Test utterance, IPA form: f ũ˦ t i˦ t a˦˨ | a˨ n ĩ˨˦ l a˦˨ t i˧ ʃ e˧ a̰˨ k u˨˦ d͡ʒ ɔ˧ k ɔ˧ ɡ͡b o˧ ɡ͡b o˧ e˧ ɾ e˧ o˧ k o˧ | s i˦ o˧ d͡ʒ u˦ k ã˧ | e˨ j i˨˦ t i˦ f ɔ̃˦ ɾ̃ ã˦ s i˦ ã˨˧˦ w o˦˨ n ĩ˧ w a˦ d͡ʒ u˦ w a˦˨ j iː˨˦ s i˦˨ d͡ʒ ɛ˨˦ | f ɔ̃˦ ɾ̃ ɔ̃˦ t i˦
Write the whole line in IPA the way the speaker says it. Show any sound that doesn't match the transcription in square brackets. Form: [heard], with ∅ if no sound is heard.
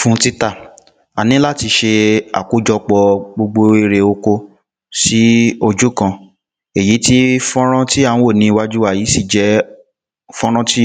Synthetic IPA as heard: f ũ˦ t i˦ t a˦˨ | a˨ n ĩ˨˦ l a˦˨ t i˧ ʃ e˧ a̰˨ k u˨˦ d͡ʒ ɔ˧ [k͡p] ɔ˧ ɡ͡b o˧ ɡ͡b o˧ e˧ ɾ e˧ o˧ k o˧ | s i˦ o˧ d͡ʒ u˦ k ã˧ | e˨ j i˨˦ t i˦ f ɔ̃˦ ɾ̃ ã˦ [t] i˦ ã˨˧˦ w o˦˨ n ĩ˧ w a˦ d͡ʒ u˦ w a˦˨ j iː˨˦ s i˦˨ d͡ʒ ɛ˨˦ | f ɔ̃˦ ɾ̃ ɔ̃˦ t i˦